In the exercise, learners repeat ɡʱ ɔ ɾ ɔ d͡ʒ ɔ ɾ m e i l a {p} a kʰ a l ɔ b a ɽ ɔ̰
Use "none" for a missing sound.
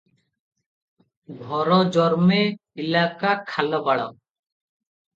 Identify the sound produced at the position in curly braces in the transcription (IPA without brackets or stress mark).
k